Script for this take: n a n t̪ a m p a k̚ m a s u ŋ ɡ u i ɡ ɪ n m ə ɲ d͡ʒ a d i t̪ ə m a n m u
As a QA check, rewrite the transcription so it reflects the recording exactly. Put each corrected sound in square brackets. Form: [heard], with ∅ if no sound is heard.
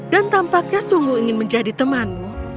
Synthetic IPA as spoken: [d] a n t̪ a m p a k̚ [ɲ] a s u ŋ ɡ u i [ŋ] ɪ n m ə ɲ d͡ʒ a d i t̪ ə m a n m u